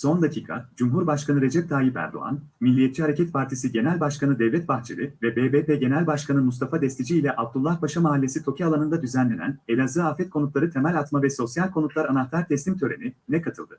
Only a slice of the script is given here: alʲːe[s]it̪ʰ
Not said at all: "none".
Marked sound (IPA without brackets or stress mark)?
s